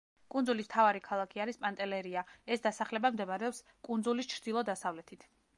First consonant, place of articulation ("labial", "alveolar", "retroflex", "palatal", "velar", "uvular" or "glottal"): velar